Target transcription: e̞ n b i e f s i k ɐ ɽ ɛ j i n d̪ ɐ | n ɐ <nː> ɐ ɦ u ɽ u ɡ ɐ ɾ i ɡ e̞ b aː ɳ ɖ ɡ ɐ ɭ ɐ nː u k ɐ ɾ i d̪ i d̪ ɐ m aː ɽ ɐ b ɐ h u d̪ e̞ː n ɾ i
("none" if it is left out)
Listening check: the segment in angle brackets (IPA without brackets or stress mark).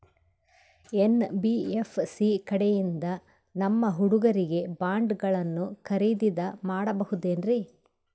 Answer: mː